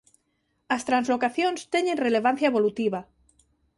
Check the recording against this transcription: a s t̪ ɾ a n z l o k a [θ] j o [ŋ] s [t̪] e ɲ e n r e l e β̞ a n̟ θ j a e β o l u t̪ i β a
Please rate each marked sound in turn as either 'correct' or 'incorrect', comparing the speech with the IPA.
correct, incorrect, correct

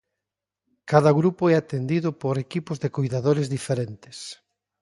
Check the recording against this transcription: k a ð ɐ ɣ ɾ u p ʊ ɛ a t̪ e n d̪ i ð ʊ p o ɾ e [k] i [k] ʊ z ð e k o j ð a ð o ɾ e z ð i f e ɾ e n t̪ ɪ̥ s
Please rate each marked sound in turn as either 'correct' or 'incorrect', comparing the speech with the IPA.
correct, incorrect

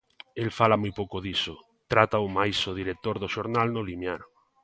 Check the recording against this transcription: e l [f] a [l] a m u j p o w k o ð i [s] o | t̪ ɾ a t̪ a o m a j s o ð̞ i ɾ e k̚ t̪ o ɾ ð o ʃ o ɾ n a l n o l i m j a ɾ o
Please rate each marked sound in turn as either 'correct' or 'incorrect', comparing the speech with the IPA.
correct, correct, correct

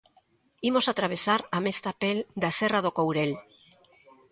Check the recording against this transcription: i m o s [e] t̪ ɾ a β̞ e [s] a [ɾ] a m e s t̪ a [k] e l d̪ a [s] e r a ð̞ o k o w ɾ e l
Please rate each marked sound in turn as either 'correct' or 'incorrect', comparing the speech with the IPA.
incorrect, correct, correct, incorrect, correct

